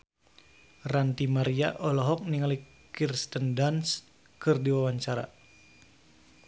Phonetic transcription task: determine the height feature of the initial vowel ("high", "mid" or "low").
low